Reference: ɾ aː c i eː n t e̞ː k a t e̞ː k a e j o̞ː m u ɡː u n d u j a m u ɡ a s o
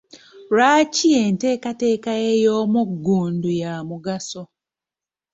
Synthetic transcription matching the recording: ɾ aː c i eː n t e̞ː k a t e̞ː k a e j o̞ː m u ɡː uː n d u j a m u ɡ a s o

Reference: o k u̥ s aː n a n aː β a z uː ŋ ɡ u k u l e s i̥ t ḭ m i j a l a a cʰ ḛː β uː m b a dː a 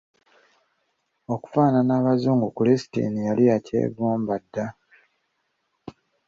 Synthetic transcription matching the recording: o k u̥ f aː n a n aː β a z uː ŋ ɡ u k u l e s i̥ t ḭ n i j a l i a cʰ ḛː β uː m b a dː a

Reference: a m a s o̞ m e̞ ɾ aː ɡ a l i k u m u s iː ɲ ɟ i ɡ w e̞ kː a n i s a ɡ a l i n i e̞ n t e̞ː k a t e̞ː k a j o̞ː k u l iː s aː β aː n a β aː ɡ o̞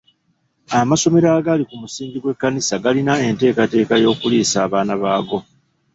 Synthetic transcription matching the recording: a m a s o̞ m e̞ ɾ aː ɡ a l i k u m u s iː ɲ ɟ i ɡ w e̞ kː a n i s a ɡ a l i n a e̞ n t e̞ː k a t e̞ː k a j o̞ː k u l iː s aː β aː n a β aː ɡ o̞

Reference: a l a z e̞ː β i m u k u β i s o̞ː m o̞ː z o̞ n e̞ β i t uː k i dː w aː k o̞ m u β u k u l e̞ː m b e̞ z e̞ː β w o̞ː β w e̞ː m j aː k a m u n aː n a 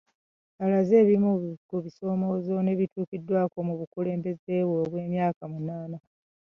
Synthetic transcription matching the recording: a l a z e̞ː β i m u k u β i s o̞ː m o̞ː z o̞ n e̞ β i t uː k i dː w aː k o̞ m u β u k u l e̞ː m b e̞ z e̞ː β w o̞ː β w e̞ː m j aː k a m u n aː n a

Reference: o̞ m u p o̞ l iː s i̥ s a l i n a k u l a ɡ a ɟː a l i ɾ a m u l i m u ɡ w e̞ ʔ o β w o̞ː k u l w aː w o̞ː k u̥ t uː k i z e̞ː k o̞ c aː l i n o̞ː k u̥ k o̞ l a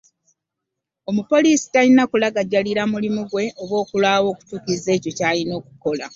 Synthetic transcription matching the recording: o̞ m u p o̞ l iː s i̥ t a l i n a k u l a ɡ a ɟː a l i ɾ a m u l i m u ɡ w e̞ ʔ o β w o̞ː k u l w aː w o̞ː k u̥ t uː k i z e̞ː c o̞ c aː l i n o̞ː k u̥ k o̞ l a

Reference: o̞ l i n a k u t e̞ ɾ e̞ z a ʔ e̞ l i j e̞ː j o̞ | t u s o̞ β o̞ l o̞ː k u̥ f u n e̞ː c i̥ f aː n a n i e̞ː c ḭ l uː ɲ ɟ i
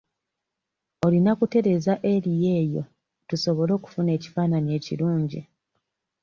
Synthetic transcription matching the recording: o̞ l i n a k u t e̞ ɾ e̞ z a ʔ e̞ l i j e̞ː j o̞ | t u s o̞ β o̞ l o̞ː k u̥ f u n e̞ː c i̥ f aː n a n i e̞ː c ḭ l uː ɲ ɟ i

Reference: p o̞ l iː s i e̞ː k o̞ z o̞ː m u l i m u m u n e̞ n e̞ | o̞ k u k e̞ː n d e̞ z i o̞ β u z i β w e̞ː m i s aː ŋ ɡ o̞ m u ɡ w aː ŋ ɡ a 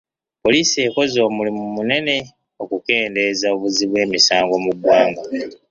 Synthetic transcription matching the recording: p o̞ l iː s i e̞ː k o̞ z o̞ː m u l i m u m u n e̞ n e̞ | o̞ k u k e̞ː n d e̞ z a o̞ β u z i β w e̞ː m i s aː ŋ ɡ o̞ m u ɡ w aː ŋ ɡ a

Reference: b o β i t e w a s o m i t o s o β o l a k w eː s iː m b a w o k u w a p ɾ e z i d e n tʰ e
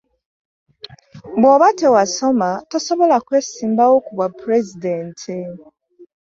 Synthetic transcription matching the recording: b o β a t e w a s o m a t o s o β o l a k w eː s iː m b a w o k u β a p ɾ e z i d e n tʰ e

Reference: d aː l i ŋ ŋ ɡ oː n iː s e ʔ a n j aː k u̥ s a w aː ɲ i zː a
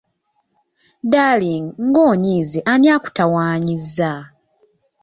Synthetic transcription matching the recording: d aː l i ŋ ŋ ɡ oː ɲ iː z e ʔ a n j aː k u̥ t a w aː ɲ i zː a

